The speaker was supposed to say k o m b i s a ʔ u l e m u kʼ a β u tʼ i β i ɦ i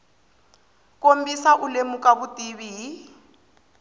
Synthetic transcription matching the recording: k o m b i s a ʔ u l e m u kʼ a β u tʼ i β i ɦ i